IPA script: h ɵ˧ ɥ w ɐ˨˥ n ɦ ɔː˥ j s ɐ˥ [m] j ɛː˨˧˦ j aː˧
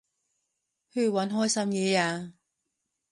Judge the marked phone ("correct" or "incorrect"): correct